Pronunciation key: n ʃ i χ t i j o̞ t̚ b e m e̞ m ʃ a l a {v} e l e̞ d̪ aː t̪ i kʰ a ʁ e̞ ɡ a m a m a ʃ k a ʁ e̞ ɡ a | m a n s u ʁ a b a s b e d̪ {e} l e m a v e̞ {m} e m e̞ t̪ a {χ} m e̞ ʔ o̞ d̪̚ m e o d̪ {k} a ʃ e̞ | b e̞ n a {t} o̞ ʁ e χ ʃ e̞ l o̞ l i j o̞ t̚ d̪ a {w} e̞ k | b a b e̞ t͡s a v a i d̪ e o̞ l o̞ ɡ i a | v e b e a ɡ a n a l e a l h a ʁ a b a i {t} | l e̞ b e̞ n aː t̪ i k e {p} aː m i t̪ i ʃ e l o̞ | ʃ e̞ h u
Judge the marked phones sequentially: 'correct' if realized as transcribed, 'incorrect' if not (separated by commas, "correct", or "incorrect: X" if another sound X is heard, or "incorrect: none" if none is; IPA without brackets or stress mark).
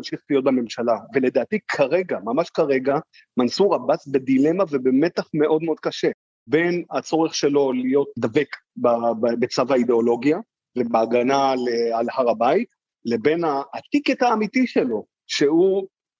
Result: correct, incorrect: i, incorrect: b, correct, correct, incorrect: t͡s, incorrect: v, correct, incorrect: t